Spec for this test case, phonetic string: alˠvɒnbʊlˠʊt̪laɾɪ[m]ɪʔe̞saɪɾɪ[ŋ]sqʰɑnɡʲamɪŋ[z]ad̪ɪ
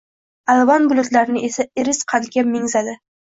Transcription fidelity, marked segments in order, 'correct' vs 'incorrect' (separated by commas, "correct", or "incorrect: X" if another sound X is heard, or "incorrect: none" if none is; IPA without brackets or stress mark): incorrect: n, incorrect: none, correct